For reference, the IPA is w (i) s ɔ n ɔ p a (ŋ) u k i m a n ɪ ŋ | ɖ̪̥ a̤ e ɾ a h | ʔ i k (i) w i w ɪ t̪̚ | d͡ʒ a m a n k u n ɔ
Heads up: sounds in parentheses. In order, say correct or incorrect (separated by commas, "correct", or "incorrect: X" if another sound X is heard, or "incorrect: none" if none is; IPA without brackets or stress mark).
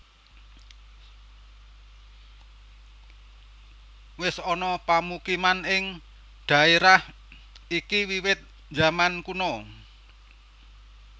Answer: incorrect: ɪ, incorrect: m, correct